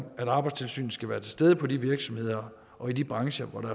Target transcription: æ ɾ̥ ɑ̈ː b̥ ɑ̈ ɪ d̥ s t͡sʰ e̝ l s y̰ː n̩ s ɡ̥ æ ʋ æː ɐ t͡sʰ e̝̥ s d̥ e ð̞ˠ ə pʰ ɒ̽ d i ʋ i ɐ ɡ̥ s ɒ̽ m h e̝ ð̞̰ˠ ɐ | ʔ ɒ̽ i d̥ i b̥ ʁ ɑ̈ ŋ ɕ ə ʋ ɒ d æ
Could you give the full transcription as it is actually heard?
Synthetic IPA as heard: æ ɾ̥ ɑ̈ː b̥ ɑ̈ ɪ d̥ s t͡sʰ e̝ l s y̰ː n̩ s ɡ̥ æ ʋ æː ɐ t͡sʰ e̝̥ s d̥ e ð̞ˠ ə pʰ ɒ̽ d i ʋ i ɐ ɡ̥ s ɒ̽ m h e̝ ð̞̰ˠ ɐ | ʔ ɒ̽ i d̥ i b̥ ʁ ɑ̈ ŋ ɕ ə ʋ ɒ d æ